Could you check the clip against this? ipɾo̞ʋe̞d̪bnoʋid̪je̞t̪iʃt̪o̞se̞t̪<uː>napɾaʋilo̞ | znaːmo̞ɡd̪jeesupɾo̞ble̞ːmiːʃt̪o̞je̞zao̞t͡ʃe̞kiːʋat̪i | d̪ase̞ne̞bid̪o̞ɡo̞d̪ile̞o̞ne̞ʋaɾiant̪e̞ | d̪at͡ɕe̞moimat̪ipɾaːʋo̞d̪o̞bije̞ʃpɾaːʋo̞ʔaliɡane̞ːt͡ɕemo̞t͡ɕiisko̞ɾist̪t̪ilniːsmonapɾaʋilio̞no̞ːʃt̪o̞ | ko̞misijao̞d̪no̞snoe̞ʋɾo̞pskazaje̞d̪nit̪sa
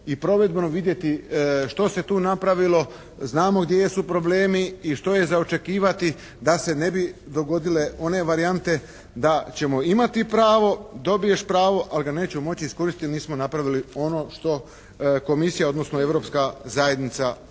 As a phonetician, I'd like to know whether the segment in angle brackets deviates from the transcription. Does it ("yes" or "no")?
no